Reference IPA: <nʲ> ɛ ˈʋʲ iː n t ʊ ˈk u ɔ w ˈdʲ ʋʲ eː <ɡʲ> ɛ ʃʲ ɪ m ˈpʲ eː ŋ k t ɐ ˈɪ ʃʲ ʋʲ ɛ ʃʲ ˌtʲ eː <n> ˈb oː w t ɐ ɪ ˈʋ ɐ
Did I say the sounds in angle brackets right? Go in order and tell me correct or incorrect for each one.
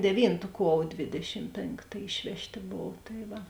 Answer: incorrect: dʲ, incorrect: dʲ, incorrect: none

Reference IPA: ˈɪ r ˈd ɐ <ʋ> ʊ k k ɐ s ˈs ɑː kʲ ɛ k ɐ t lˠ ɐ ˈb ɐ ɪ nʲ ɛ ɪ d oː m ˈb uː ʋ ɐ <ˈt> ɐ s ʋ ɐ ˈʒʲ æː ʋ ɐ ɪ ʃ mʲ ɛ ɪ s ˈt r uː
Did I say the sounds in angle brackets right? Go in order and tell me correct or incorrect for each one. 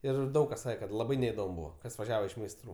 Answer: incorrect: none, incorrect: k

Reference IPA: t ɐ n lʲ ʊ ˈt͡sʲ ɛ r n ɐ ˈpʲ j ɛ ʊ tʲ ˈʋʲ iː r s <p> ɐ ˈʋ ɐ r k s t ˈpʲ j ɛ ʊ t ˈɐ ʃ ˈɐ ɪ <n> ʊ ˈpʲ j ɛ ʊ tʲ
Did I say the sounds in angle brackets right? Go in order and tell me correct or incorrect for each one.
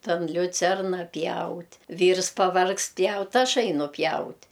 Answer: correct, correct

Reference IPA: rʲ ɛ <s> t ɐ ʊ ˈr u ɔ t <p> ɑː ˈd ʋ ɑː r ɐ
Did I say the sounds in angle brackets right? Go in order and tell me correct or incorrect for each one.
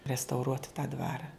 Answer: correct, incorrect: t

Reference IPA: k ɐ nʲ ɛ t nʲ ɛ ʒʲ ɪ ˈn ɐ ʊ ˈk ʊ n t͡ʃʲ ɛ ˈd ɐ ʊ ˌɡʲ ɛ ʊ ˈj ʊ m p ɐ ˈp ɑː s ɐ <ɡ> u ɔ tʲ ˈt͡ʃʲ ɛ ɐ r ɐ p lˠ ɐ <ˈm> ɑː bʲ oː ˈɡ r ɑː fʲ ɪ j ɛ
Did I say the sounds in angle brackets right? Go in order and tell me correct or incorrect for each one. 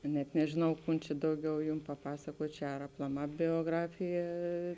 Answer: incorrect: k, correct

